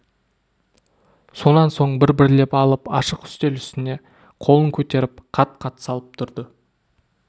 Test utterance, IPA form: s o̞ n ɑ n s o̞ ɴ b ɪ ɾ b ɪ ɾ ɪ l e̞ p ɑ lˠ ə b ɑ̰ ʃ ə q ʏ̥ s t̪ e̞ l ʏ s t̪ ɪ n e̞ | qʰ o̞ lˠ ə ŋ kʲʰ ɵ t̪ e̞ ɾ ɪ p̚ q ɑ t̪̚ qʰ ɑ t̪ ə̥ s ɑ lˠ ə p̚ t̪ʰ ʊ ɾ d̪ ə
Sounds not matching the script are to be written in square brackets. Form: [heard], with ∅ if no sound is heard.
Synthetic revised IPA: s o̞ n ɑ n s o̞ ɴ b ɪ ɾ b ɪ ɾ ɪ l e̞ p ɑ lˠ ə [p] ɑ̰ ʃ ə q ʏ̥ s t̪ e̞ l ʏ s t̪ ɪ n e̞ | qʰ o̞ lˠ ə ŋ kʲʰ ɵ t̪ e̞ ɾ ɪ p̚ [qʰ] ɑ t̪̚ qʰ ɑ t̪ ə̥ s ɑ lˠ ə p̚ t̪ʰ ʊ ɾ d̪ ə

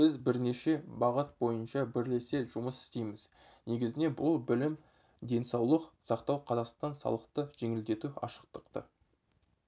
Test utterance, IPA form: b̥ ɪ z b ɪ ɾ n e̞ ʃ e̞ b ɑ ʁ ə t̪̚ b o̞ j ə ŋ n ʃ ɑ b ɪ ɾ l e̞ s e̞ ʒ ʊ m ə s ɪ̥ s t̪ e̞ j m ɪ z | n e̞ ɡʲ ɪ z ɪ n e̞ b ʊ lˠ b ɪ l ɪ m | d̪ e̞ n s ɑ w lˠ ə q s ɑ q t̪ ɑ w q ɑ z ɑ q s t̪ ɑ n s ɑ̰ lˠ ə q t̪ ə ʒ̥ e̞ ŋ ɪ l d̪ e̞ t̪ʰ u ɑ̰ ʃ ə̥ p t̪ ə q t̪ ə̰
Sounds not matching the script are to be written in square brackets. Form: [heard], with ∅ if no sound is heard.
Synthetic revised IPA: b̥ ɪ z b ɪ ɾ n e̞ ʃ e̞ b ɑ ʁ ə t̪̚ b o̞ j ə [∅] n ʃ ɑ b ɪ ɾ l e̞ s e̞ ʒ ʊ m ə s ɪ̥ s t̪ e̞ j m ɪ z | n e̞ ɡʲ ɪ z ɪ n e̞ b ʊ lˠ b ɪ l ɪ m | d̪ e̞ n s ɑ w lˠ ə q s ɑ q t̪ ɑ w [qʰ] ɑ z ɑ q s t̪ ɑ n s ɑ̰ lˠ ə q t̪ ə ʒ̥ e̞ ŋ ɪ l d̪ e̞ [t̪] u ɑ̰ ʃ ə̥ [q] t̪ ə q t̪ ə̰

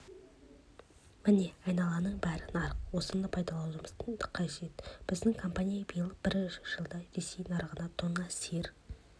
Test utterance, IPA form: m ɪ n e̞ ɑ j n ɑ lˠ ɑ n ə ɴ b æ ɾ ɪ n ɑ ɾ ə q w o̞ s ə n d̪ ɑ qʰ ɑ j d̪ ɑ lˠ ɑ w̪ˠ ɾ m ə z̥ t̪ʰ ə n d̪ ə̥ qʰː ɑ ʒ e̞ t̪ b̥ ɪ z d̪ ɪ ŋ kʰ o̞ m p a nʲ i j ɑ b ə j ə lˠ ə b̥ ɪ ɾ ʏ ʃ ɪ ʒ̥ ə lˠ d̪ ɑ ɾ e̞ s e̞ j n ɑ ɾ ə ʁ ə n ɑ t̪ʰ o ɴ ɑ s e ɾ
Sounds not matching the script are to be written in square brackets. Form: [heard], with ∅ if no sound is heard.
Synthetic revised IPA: m ɪ n e̞ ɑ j n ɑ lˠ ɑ n ə ɴ b æ ɾ ɪ n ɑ ɾ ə q w o̞ s ə n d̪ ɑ [pʰ] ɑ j d̪ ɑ lˠ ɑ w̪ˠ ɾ m ə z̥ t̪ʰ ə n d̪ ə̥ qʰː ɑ ʒ e̞ t̪ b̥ ɪ z d̪ ɪ ŋ kʰ o̞ m p a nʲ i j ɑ b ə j ə lˠ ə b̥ ɪ ɾ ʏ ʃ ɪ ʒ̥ ə lˠ d̪ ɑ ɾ e̞ s e̞ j n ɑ ɾ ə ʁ ə n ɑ t̪ʰ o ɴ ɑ s e ɾ

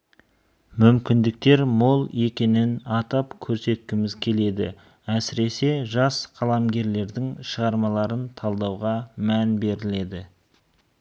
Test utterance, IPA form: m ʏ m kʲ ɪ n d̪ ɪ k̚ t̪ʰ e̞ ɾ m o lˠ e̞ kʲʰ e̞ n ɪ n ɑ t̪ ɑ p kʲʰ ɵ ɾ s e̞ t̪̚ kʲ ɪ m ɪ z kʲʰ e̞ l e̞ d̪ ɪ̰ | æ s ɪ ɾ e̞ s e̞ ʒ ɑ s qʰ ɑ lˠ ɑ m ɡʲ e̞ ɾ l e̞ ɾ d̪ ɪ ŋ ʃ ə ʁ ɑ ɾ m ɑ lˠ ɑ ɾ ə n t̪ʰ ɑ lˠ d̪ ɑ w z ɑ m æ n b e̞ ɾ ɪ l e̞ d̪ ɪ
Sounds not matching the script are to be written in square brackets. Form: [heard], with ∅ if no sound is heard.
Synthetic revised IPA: m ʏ m kʲ ɪ n d̪ ɪ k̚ [t̪] e̞ ɾ m o lˠ e̞ [kʲ] e̞ n ɪ n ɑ t̪ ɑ p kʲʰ ɵ ɾ s e̞ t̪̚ kʲ ɪ m ɪ z kʲʰ e̞ l e̞ d̪ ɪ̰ | æ s ɪ ɾ e̞ s e̞ ʒ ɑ s qʰ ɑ lˠ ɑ m ɡʲ e̞ ɾ l e̞ ɾ d̪ ɪ ŋ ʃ ə ʁ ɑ ɾ m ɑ lˠ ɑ ɾ ə n t̪ʰ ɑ lˠ d̪ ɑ w [ʁ] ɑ m æ n b e̞ ɾ ɪ l e̞ d̪ ɪ

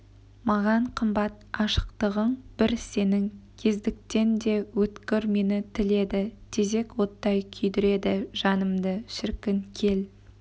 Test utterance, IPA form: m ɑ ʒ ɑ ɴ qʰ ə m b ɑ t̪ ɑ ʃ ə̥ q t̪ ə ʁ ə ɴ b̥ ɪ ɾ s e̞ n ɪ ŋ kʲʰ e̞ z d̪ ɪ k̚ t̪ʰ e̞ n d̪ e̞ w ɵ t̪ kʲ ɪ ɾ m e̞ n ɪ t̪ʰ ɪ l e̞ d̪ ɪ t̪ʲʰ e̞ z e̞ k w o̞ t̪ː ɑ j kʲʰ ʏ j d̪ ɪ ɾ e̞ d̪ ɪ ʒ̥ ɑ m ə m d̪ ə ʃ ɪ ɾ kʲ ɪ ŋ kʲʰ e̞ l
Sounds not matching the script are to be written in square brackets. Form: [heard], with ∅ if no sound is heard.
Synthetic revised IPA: m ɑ [ʁ] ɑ ɴ qʰ ə m b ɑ t̪ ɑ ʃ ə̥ q t̪ ə ʁ ə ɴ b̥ ɪ ɾ s e̞ n ɪ ŋ kʲʰ e̞ z d̪ ɪ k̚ [t̪] e̞ n d̪ e̞ w ɵ t̪ kʲ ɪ ɾ m e̞ n ɪ t̪ʰ ɪ l e̞ d̪ ɪ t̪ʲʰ e̞ z e̞ k w o̞ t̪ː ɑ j kʲʰ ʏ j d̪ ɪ ɾ e̞ d̪ ɪ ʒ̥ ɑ [n] ə m d̪ ə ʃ ɪ ɾ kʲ ɪ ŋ kʲʰ e̞ l

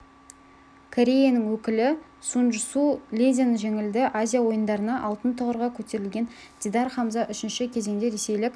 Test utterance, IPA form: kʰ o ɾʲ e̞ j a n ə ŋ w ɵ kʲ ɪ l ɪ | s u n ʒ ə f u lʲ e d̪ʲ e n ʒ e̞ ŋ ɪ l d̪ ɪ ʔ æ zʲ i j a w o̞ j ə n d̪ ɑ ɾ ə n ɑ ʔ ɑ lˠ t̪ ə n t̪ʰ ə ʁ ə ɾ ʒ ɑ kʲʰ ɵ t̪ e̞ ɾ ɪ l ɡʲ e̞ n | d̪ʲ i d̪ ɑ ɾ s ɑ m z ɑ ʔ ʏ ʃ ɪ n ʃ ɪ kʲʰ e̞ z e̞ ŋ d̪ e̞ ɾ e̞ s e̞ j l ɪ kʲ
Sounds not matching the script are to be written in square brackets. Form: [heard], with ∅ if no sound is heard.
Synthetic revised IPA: kʰ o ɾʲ e̞ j a n ə ŋ w ɵ kʲ ɪ l ɪ | s u n ʒ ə [s] u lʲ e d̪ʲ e n ʒ e̞ ŋ ɪ l d̪ ɪ ʔ [a] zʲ i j a w o̞ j ə n d̪ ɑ ɾ ə n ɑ ʔ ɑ lˠ t̪ ə n t̪ʰ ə ʁ ə ɾ [ʁ] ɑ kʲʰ ɵ t̪ e̞ ɾ ɪ l ɡʲ e̞ n | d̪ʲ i d̪ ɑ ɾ [χ] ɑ m z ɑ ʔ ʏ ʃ ɪ n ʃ ɪ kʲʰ e̞ z e̞ ŋ d̪ e̞ ɾ e̞ s e̞ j l ɪ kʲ

